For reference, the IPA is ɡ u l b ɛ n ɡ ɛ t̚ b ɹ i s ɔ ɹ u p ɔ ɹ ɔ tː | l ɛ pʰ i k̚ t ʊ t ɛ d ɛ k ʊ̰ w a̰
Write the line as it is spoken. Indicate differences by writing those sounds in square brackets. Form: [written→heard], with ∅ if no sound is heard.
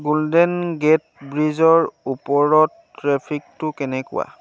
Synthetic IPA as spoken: ɡ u l [b→d] ɛ n ɡ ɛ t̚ b ɹ i [s→z] ɔ ɹ u p ɔ ɹ ɔ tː | [l→ɹ] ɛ pʰ i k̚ t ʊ [t→k] ɛ [d→n] ɛ k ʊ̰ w a̰